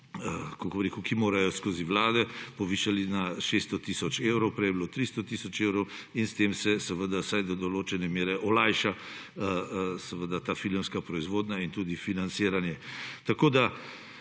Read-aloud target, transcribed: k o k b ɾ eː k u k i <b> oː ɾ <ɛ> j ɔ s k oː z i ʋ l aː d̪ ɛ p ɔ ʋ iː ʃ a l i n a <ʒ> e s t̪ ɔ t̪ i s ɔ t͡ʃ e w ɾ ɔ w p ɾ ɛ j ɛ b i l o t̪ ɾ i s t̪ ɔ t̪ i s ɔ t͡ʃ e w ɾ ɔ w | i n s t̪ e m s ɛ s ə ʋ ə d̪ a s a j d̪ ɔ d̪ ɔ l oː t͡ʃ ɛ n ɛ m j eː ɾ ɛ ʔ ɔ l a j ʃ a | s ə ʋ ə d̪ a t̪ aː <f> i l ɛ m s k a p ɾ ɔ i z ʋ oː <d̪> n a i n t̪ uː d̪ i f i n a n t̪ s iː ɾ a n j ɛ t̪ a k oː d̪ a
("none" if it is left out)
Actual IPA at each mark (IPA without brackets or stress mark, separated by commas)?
m, a, ʃ, f, d̪